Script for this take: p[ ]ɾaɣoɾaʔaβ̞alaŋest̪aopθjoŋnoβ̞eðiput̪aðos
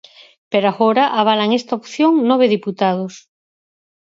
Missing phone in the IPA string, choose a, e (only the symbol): e